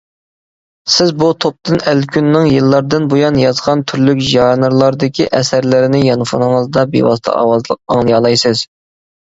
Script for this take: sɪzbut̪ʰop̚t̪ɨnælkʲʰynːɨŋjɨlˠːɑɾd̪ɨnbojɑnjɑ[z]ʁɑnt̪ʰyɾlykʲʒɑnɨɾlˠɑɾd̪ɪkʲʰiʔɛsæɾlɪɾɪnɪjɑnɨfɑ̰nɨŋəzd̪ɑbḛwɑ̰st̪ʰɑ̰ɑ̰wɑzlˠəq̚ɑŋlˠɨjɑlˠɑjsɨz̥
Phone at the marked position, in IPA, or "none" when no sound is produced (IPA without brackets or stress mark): z